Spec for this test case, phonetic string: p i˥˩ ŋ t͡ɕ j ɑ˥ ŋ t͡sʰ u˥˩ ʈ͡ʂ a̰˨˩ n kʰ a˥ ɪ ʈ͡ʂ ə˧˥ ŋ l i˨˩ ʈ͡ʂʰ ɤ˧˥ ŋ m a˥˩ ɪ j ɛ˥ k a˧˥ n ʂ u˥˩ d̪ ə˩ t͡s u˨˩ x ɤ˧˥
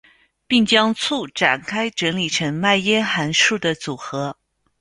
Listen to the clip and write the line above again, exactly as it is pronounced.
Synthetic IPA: p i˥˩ ŋ t͡ɕ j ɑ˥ ŋ t͡sʰ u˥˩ ʈ͡ʂ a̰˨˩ n kʰ a˥ ɪ ʈ͡ʂ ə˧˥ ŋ l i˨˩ ʈ͡ʂʰ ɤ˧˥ ŋ m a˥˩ ɪ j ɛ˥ x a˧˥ n ʂ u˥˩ d̪ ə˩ t͡s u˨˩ x ɤ˧˥